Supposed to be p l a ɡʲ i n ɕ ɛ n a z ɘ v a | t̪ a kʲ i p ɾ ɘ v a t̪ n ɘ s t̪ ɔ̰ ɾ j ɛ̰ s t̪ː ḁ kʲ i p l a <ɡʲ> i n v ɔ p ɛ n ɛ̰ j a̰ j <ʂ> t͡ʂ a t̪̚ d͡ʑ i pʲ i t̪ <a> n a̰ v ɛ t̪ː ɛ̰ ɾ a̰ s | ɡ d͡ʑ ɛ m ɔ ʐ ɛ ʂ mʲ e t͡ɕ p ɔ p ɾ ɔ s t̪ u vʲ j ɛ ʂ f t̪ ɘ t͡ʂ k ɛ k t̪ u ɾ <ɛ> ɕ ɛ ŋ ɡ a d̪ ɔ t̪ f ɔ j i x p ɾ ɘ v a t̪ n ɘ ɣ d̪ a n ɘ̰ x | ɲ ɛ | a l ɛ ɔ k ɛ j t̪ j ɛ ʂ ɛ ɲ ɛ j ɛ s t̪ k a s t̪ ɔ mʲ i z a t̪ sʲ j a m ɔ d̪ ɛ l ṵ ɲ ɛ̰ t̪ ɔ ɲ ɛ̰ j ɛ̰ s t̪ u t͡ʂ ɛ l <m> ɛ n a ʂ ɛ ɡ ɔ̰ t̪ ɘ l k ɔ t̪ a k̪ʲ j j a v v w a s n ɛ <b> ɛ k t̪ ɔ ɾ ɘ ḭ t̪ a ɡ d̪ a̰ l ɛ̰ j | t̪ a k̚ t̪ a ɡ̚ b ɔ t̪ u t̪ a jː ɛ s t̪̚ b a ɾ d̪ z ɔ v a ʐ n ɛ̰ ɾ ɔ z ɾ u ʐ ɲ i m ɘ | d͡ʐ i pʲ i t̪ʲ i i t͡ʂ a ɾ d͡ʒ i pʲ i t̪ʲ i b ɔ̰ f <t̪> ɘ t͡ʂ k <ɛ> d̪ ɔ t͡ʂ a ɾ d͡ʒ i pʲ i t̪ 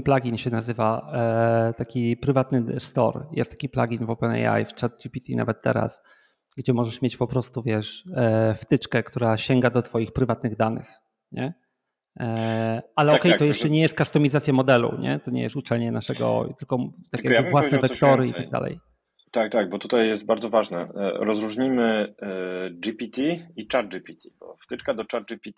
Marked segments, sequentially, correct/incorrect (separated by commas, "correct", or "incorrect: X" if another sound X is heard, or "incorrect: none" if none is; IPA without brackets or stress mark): correct, incorrect: f, incorrect: i, incorrect: a, incorrect: ɲ, incorrect: v, correct, incorrect: a